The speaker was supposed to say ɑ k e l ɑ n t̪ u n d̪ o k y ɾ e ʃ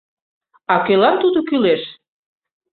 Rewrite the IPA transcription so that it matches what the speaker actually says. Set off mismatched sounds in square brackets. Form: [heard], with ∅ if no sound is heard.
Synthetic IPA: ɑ k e l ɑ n t̪ u [∅] d̪ o k y [l] e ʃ